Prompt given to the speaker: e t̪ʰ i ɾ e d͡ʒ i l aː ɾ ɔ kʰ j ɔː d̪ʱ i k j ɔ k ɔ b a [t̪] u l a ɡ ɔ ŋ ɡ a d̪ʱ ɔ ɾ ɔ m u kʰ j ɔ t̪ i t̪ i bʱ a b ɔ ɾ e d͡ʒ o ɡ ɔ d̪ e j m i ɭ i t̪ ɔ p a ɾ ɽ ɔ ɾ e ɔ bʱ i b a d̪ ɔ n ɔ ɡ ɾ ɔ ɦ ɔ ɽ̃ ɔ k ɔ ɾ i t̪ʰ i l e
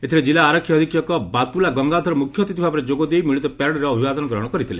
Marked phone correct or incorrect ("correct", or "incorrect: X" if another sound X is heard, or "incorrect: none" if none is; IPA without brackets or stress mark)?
correct